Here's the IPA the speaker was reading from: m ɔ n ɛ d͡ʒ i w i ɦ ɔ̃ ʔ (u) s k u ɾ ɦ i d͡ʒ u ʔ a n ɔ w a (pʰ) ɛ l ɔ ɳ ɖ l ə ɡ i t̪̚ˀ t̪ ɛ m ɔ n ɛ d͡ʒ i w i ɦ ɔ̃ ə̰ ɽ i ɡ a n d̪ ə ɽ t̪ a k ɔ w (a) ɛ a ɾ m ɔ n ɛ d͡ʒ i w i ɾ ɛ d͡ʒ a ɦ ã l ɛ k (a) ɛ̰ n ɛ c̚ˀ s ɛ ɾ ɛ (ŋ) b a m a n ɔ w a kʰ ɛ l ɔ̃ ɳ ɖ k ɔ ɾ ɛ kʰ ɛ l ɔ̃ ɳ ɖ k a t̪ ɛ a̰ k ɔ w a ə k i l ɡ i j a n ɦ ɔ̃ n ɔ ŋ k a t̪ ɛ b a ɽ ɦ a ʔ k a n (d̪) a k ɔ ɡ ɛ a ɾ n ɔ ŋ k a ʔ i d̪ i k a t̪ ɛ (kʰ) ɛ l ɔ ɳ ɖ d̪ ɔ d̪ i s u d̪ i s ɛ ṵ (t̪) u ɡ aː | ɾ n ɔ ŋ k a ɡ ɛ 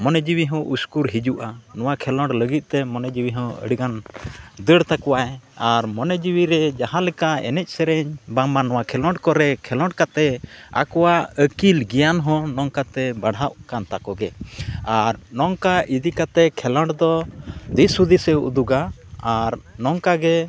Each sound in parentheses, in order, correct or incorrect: correct, incorrect, correct, correct, incorrect, incorrect, correct, incorrect

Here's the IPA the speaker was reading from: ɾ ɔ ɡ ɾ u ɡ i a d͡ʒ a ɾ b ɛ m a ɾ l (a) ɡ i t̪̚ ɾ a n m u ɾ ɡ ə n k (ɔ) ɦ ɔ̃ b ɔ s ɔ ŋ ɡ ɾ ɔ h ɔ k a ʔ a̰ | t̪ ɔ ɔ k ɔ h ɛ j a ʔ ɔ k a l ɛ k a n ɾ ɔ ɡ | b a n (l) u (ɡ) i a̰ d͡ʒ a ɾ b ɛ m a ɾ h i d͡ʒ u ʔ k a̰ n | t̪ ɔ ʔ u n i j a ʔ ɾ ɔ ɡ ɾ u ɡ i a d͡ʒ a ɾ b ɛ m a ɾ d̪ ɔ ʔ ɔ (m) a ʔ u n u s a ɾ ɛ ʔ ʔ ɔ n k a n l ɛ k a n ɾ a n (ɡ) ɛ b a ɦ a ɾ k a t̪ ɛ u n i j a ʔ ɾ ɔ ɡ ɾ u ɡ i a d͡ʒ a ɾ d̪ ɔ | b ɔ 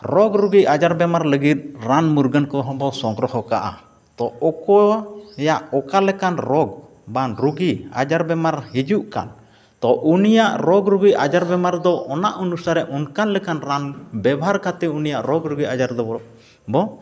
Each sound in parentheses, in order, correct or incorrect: incorrect, correct, incorrect, correct, incorrect, incorrect

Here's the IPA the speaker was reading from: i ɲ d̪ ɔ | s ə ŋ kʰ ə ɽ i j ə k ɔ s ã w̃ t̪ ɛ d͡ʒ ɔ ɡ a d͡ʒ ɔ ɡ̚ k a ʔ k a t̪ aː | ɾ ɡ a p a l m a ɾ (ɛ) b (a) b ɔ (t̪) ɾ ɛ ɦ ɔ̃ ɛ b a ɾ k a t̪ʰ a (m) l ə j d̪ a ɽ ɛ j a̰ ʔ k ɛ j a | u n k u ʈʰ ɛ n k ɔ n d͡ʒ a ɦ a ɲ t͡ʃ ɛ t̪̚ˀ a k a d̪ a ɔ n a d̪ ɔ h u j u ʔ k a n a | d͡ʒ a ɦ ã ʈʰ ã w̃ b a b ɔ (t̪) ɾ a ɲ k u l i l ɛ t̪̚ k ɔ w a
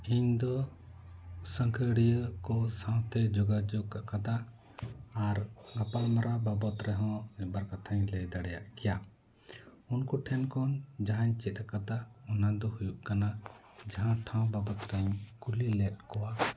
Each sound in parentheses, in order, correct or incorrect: incorrect, correct, correct, incorrect, correct

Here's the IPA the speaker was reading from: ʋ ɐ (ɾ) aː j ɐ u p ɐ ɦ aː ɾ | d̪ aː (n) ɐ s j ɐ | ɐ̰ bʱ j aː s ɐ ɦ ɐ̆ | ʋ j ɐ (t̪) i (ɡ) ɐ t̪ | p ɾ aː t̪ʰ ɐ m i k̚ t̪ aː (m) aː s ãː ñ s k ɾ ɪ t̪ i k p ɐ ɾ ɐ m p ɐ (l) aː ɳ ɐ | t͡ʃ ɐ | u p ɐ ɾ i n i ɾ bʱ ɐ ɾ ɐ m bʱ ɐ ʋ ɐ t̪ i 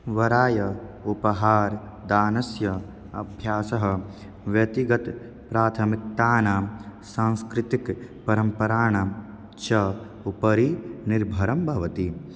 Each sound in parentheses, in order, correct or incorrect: correct, correct, correct, correct, incorrect, incorrect

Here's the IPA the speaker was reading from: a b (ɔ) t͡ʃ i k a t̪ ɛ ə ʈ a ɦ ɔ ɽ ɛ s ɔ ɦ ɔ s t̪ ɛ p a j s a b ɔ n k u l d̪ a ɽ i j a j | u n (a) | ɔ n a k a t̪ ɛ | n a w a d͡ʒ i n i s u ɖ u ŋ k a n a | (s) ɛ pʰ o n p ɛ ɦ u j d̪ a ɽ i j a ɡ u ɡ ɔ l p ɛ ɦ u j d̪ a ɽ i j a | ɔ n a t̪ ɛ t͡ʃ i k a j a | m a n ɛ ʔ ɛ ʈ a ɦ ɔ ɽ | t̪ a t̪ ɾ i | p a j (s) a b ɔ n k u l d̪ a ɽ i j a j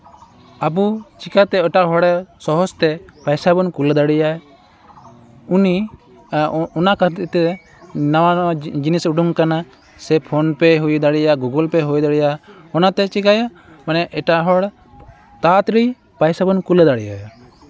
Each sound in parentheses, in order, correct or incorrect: incorrect, incorrect, correct, correct

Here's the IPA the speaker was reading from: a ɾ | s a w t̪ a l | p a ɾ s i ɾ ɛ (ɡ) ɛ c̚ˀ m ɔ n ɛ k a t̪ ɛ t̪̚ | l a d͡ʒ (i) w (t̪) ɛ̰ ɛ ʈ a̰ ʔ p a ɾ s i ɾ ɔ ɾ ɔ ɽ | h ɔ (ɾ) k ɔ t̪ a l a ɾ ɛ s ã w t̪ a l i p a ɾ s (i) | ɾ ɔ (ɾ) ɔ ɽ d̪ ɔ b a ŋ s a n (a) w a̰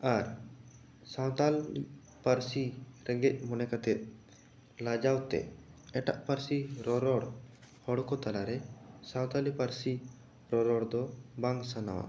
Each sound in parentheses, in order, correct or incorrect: correct, incorrect, correct, incorrect, correct, correct, correct

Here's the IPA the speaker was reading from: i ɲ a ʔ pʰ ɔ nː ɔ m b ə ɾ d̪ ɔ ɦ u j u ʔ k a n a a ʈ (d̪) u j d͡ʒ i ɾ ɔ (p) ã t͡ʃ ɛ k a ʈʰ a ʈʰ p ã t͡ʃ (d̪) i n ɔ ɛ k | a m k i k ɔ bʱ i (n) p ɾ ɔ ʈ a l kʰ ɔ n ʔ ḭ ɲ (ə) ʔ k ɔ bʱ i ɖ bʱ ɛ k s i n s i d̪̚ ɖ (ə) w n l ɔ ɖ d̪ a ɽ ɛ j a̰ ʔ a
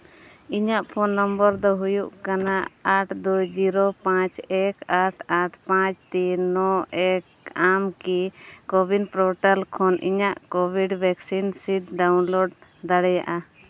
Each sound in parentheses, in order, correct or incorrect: correct, correct, incorrect, correct, incorrect, incorrect

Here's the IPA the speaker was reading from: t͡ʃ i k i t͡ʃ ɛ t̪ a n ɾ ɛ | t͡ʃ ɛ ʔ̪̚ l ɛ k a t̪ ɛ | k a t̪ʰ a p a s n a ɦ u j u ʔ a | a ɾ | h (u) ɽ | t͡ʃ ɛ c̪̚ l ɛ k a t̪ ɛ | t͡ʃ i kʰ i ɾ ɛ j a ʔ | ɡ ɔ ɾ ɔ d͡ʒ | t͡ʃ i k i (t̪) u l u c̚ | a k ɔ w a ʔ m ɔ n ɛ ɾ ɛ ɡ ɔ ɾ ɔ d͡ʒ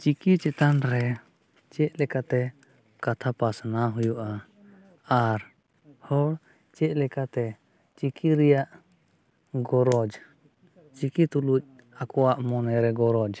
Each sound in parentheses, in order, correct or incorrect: incorrect, correct

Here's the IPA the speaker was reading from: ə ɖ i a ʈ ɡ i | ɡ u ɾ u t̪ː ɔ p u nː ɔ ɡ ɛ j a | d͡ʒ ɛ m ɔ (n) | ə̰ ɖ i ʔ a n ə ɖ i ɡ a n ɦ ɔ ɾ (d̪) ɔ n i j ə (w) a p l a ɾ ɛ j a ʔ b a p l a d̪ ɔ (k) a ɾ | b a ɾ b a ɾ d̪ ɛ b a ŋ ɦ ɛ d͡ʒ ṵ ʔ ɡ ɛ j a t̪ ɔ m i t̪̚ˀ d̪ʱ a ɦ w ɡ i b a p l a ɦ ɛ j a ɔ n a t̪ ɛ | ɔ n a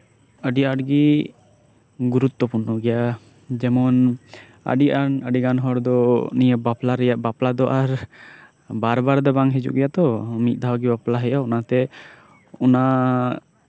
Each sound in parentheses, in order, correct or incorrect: correct, correct, incorrect, incorrect

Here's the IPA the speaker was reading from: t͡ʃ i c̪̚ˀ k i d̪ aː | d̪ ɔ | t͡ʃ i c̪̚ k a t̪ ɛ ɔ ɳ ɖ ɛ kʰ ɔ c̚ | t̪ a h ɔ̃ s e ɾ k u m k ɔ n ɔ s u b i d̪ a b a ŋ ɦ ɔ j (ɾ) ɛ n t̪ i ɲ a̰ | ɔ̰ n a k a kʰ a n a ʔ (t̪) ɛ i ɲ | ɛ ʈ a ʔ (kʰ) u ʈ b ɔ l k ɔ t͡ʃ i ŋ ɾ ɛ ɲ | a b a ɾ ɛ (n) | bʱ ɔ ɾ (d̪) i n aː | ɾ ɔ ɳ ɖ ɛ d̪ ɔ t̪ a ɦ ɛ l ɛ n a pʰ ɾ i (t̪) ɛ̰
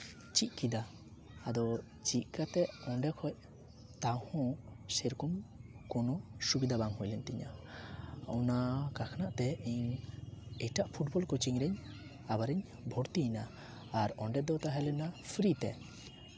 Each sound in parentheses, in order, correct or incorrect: incorrect, correct, incorrect, incorrect, incorrect, correct

